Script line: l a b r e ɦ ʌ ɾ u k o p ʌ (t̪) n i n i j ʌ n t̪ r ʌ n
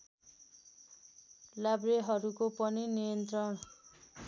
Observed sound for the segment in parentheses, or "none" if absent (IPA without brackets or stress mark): none